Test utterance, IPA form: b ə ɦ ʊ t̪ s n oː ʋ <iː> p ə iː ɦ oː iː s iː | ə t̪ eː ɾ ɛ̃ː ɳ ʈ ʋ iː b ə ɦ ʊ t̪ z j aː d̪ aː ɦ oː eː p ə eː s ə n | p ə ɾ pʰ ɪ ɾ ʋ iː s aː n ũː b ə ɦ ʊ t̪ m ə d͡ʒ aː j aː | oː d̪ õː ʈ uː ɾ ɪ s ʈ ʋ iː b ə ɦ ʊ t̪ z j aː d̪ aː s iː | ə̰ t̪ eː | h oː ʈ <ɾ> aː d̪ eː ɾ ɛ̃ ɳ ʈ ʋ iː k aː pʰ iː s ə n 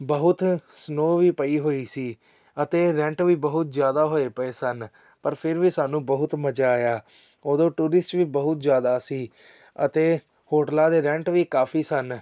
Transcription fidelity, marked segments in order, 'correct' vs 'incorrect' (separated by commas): correct, incorrect